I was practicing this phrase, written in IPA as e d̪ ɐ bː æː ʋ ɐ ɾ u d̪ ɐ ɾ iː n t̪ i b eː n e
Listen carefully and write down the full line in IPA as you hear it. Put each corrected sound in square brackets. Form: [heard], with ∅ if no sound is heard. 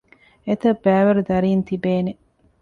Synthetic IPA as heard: e [t̪] ɐ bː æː ʋ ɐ ɾ u d̪ ɐ ɾ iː n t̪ i b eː n e